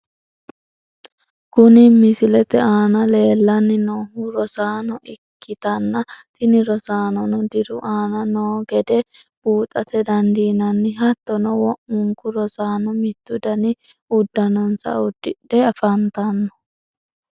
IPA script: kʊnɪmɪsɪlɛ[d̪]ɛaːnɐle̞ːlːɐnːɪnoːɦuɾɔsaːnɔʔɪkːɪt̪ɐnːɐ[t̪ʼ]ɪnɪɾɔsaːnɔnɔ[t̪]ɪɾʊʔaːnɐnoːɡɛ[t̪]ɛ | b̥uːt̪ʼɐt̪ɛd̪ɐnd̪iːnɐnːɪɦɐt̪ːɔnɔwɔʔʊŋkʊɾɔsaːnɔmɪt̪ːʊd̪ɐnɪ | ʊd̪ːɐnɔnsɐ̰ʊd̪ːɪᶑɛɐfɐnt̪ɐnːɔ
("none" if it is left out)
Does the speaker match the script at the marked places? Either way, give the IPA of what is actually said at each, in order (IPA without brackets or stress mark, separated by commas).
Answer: t̪, t̪, d̪, d̪